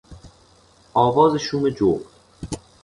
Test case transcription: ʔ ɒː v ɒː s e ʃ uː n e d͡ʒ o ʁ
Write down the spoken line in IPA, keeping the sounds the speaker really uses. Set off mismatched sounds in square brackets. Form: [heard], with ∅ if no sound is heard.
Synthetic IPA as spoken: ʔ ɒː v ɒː [z] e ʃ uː [m] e d͡ʒ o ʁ